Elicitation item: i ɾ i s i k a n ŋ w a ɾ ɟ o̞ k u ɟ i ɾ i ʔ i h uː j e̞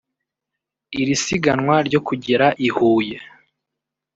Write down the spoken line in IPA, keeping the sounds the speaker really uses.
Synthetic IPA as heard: i ɾ i s i ɡ a n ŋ w a ɾ ɟ o̞ k u ɟ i ɾ a ʔ i h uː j e̞